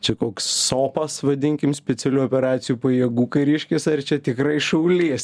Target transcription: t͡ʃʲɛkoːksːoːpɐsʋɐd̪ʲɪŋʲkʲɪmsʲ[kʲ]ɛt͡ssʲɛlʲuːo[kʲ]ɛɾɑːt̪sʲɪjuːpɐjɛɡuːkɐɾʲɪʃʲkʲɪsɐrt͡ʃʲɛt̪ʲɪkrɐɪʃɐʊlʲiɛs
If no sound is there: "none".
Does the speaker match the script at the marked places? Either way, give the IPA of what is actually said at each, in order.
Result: pʲ, pʲ

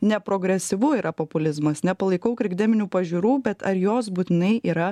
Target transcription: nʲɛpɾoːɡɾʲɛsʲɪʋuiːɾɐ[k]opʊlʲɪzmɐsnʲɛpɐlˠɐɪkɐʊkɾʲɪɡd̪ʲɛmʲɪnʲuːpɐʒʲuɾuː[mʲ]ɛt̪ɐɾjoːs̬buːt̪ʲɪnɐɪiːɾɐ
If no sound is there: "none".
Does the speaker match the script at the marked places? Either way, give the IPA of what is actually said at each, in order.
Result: p, bʲ

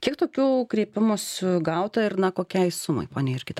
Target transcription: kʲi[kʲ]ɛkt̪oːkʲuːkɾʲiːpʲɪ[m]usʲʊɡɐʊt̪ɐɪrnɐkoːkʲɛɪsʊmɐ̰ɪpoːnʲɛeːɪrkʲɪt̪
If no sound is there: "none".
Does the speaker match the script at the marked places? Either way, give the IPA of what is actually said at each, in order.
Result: none, m

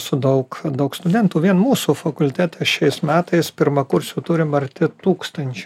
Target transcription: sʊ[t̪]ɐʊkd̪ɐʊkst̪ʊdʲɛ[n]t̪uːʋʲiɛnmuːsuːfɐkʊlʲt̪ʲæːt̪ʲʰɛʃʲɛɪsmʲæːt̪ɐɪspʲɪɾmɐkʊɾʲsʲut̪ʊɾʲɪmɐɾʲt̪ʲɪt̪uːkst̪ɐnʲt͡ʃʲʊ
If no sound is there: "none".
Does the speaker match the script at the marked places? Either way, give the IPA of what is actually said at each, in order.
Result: d̪, n

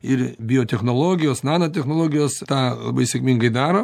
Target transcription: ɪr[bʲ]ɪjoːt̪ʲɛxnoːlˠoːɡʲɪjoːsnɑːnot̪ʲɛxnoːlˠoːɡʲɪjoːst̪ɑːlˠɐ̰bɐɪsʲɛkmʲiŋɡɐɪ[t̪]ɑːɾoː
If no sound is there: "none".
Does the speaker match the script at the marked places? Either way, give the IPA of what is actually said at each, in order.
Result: bʲ, d̪

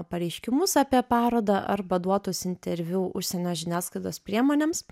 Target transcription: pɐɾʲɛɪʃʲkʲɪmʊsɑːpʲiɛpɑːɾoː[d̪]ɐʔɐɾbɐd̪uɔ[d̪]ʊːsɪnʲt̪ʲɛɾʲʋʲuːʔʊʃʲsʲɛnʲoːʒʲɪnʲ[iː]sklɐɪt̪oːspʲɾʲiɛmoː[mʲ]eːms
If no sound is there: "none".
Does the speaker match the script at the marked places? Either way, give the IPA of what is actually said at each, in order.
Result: d̪, t̪, æː, nʲ

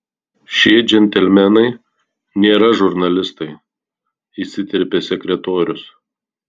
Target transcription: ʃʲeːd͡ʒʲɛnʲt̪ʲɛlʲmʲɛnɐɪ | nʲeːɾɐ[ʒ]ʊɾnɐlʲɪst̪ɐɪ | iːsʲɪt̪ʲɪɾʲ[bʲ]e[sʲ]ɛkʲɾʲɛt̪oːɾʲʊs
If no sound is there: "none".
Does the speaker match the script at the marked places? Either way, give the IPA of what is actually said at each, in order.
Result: ʒ, pʲ, sʲ

